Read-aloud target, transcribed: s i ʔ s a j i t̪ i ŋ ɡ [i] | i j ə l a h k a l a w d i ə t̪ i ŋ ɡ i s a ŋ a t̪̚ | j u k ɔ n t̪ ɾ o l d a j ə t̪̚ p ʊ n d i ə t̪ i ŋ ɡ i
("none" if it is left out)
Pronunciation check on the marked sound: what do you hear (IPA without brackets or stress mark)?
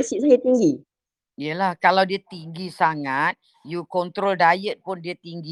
i